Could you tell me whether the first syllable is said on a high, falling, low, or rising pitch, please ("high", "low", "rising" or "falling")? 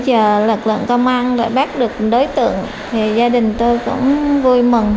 low